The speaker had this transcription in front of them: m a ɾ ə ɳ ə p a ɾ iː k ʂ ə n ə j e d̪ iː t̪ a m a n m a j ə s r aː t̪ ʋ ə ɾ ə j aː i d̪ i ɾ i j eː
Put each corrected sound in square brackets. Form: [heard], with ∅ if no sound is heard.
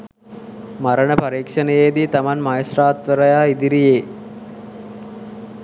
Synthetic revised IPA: m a ɾ ə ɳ ə p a ɾ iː k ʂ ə n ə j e d̪ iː t̪ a m a n m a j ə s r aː t̪ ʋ ə ɾ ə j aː i d̪ i ɾ i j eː